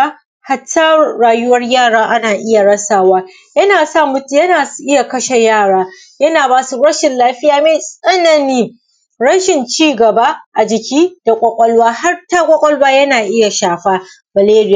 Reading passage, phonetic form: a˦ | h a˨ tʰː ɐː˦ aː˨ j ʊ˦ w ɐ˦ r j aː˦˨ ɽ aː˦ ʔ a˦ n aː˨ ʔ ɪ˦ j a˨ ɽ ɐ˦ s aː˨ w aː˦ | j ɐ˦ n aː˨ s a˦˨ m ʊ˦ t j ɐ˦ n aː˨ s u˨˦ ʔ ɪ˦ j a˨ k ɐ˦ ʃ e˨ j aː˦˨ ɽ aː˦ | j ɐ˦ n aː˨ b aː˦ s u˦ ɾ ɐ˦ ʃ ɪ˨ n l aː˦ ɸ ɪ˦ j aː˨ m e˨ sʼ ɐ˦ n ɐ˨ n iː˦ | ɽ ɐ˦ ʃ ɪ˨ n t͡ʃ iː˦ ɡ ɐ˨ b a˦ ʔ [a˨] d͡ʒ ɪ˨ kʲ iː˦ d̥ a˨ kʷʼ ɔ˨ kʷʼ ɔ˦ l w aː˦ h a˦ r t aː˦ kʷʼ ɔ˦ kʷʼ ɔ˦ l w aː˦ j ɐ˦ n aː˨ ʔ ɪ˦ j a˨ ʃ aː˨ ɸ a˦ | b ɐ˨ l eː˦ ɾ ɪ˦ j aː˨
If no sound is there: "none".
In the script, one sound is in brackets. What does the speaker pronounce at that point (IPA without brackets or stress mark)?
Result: a˨